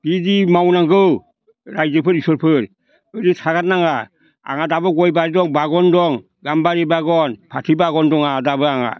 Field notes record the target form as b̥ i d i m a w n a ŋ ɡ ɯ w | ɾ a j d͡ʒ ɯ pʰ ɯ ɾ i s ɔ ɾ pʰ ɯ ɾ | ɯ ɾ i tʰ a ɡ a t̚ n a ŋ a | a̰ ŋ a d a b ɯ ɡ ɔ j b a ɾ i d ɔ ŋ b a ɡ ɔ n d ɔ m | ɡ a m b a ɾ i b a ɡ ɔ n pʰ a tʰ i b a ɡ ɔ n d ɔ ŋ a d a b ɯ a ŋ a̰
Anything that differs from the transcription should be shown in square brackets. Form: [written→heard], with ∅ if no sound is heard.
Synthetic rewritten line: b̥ i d i m a w n a ŋ ɡ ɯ w | ɾ a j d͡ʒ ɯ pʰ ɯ ɾ i s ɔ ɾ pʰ ɯ ɾ | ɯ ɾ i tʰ a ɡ a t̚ n a ŋ a | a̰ ŋ a d a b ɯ ɡ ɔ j b a ɾ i d ɔ ŋ b a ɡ ɔ n d ɔ [m→ŋ] | ɡ a m b a ɾ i b a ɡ ɔ n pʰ a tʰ i b a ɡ ɔ n d ɔ ŋ a d a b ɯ a ŋ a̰

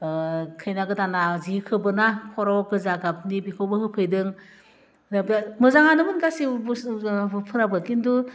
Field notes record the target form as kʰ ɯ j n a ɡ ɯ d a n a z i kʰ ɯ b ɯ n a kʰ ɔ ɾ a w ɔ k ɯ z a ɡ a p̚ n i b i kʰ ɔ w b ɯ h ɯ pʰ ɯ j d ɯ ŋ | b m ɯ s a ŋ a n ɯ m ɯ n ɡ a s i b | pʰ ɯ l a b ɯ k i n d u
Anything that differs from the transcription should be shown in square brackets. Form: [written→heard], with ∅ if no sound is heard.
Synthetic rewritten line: kʰ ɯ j n a ɡ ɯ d a n a z i kʰ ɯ b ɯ n a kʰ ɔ ɾ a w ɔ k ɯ z a ɡ a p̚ n i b i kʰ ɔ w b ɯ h ɯ pʰ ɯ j d ɯ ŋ | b m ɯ [s→z] a ŋ a n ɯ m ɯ n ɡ a s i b | pʰ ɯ [l→ɾ] a b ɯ k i n d u

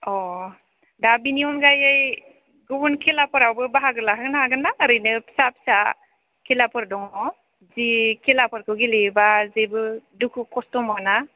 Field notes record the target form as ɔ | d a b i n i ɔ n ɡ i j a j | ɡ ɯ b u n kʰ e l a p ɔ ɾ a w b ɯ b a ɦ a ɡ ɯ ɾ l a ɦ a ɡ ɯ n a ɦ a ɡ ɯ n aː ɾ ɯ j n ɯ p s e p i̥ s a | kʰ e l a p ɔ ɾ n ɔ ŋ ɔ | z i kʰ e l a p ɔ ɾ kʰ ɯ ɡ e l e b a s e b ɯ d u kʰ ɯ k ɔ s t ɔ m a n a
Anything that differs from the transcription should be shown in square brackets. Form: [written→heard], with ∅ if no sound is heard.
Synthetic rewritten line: ɔ | d a b i n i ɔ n ɡ [i→a] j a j | ɡ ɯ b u n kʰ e l a p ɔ ɾ a w b ɯ b a ɦ a ɡ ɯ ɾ l a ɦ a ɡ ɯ n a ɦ a ɡ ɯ n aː ɾ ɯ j n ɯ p s [e→a] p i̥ s a | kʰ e l a p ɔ ɾ [n→d] ɔ ŋ ɔ | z i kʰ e l a p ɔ ɾ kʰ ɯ ɡ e l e b a [s→z] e b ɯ d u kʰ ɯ k ɔ s t ɔ m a n a

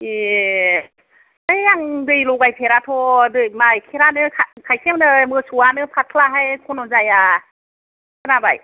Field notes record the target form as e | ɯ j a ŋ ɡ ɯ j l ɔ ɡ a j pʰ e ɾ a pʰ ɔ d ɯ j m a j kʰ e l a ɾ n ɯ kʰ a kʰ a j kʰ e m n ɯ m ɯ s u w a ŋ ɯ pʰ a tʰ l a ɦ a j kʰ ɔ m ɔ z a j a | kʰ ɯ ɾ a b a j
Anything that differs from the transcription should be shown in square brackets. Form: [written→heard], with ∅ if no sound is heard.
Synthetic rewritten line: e | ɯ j a ŋ [ɡ→d] ɯ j l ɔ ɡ a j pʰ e ɾ a [pʰ→tʰ] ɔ d ɯ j m a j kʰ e [l→ɾ] a [ɾ→∅] n ɯ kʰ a kʰ a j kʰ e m n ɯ m ɯ s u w a [ŋ→n] ɯ pʰ a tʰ l a ɦ a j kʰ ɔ [m→n] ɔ z a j a | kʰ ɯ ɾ a b a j

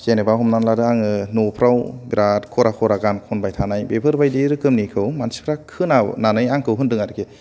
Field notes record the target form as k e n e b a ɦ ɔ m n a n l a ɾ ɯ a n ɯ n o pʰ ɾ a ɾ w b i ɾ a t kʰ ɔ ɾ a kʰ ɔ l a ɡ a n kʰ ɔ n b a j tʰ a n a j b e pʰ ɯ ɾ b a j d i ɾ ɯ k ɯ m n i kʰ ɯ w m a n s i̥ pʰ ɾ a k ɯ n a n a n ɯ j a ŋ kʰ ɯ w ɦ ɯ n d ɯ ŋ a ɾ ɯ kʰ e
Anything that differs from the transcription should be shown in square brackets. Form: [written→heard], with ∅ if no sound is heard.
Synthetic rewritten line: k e n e b a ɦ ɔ m n a n l a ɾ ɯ a [n→ŋ] ɯ n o pʰ ɾ a [ɾ→∅] w b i ɾ a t kʰ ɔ ɾ a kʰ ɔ [l→ɾ] a ɡ a n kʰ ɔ n b a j tʰ a n a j b e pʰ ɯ ɾ b a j d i ɾ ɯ k ɯ m n i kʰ ɯ w m a n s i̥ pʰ ɾ a [k→kʰ] ɯ n a n a n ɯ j a ŋ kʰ ɯ w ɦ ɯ n d ɯ ŋ a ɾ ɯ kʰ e

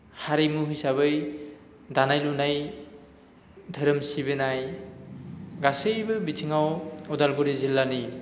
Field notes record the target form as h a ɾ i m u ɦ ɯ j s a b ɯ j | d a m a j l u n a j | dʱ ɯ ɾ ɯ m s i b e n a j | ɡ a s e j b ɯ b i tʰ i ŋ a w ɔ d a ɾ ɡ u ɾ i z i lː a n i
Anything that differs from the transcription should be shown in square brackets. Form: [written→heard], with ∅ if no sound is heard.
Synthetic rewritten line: h a ɾ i m u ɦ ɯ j s a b ɯ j | d a [m→n] a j l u n a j | dʱ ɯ ɾ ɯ m s i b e n a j | ɡ a s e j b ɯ b i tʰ i ŋ a w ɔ d a [ɾ→l] ɡ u ɾ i z i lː a n i

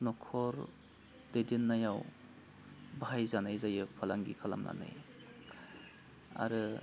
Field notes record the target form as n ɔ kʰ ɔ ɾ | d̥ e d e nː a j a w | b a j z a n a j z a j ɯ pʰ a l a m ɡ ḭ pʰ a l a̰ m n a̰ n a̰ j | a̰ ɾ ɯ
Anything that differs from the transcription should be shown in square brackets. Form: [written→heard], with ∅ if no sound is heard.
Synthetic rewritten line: n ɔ kʰ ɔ ɾ | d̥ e d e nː a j a w | b a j z a n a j z a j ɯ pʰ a l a [m→ŋ] ɡ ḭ [pʰ→kʰ] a l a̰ m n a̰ n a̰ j | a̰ ɾ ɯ

